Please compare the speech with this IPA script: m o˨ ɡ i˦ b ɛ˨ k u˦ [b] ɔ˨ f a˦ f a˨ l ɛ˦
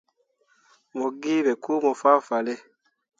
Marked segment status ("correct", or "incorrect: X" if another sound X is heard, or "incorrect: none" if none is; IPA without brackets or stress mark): incorrect: m